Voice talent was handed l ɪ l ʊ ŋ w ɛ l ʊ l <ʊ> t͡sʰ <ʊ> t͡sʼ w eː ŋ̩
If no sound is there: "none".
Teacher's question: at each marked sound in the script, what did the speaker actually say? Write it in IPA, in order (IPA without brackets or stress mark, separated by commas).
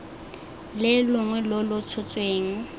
ʊ, ʊ